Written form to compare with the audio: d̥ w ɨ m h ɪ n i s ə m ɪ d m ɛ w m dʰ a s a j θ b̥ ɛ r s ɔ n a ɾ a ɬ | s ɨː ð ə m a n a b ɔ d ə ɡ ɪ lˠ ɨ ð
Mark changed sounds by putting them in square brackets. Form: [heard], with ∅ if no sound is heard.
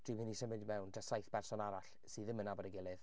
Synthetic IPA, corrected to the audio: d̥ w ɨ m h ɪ n i s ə m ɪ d m ɛ w [n] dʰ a s a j θ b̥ ɛ r s ɔ n a ɾ a ɬ | s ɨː ð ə m [ə] n a b ɔ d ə ɡ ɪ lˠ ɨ ð